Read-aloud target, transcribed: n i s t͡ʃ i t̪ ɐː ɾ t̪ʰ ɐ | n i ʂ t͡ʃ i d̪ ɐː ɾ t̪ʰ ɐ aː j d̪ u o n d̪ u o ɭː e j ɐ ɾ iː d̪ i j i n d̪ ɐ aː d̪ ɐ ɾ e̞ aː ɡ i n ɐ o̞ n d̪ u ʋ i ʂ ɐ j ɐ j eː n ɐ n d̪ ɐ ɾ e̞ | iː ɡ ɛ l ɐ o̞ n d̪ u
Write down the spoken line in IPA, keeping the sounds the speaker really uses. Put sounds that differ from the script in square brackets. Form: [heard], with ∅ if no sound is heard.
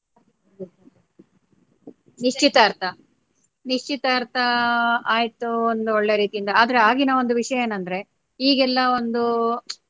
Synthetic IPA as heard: n i [ʂ] t͡ʃ i t̪ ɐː ɾ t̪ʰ ɐ | n i ʂ t͡ʃ i [t̪] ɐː ɾ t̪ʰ ɐ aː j [t̪] u o n d̪ u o ɭː e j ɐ ɾ iː [t̪] i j i n d̪ ɐ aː d̪ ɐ ɾ e̞ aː ɡ i n ɐ o̞ n d̪ u ʋ i ʂ ɐ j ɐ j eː n ɐ n d̪ ɐ ɾ e̞ | iː ɡ ɛ [lː] ɐ o̞ n d̪ u